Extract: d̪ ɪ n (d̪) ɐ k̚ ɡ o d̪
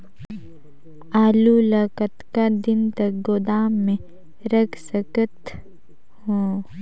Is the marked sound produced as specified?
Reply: no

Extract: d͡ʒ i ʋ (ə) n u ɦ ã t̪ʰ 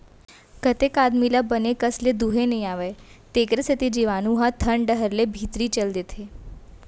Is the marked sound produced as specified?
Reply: no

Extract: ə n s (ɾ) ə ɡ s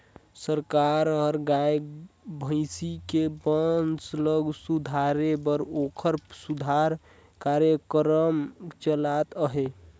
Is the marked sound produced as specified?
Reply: no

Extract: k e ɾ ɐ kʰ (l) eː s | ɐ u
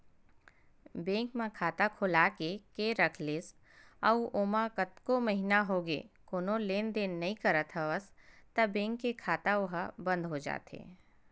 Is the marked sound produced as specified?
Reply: yes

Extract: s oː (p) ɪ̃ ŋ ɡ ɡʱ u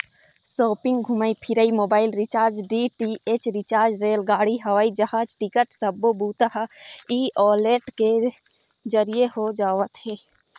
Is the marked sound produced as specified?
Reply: yes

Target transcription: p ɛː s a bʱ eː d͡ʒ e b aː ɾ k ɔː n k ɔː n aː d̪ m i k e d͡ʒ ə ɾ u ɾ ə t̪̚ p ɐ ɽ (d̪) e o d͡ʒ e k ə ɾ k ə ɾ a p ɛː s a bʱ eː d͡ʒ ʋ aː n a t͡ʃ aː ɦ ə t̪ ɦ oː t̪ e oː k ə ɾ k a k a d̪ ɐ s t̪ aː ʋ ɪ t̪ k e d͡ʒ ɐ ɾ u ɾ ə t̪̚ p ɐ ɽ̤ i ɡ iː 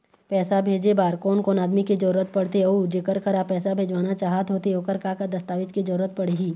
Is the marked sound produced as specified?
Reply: no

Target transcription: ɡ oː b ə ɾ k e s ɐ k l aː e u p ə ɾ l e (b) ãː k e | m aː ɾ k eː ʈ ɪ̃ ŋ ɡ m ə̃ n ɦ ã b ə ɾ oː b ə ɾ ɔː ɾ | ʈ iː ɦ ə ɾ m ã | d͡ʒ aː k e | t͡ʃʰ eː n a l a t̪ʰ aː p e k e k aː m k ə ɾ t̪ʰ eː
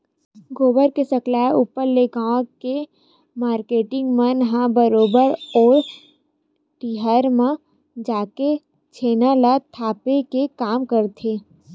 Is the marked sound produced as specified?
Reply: no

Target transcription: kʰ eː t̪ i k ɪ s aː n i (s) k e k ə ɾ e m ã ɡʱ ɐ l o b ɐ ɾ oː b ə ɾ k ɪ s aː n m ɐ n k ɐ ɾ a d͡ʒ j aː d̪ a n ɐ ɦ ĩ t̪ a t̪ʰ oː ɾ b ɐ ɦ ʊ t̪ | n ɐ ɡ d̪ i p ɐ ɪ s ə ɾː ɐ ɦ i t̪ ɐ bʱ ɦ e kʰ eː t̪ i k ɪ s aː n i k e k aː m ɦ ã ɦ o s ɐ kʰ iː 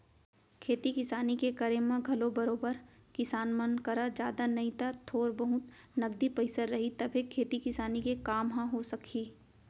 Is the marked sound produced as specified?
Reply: no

